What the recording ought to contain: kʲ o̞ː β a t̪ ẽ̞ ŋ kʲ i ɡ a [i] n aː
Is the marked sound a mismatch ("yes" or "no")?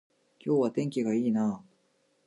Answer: yes